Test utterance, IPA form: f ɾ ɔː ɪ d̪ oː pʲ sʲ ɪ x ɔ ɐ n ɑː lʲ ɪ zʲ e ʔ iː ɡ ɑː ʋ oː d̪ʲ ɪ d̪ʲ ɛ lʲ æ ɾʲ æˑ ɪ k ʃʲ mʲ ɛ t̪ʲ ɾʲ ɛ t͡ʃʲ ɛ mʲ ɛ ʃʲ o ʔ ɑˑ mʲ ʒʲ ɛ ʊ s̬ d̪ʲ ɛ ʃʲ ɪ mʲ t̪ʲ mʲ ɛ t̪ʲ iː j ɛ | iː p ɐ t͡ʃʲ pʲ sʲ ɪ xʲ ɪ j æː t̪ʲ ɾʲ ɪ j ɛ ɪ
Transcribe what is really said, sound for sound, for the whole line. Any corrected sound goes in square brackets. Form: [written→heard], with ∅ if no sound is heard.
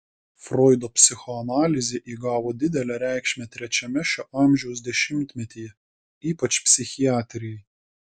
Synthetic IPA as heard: f ɾ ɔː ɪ d̪ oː pʲ sʲ ɪ x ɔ ɐ n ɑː lʲ ɪ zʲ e ʔ iː ɡ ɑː ʋ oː d̪ʲ ɪ d̪ʲ ɛ lʲ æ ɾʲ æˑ ɪ k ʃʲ mʲ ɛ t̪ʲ ɾʲ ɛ t͡ʃʲ ɛ mʲ ɛ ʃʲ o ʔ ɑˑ mʲ ʒʲ ɛ ʊ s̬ d̪ʲ ɛ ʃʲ ɪ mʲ t̪ʲ mʲ ɛ t̪ʲ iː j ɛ | iː p ɐ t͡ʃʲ pʲ sʲ ɪ xʲ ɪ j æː t̪ʲ ɾʲ ɪ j ɛ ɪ